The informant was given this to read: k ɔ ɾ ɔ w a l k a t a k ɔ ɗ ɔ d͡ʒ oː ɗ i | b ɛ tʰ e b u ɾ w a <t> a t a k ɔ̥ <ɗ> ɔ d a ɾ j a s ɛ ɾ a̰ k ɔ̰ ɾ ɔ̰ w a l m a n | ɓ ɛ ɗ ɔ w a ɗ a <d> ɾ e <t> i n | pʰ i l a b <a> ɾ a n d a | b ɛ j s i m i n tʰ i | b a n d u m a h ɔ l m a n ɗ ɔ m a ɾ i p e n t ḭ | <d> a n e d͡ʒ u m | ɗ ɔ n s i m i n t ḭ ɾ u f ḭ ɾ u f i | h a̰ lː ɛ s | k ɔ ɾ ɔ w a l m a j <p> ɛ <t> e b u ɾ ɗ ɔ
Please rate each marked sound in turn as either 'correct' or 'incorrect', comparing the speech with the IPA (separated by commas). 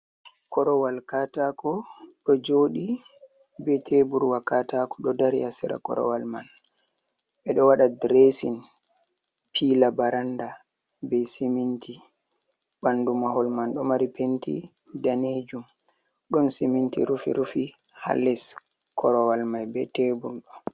incorrect, correct, correct, incorrect, correct, correct, incorrect, correct